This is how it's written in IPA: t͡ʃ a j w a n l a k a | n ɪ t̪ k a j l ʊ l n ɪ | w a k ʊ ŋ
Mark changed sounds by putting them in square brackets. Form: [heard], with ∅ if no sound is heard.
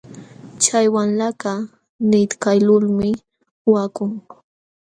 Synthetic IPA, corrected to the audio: t͡ʃ a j w a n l a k a | n ɪ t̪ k a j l ʊ l [m] ɪ | w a k ʊ ŋ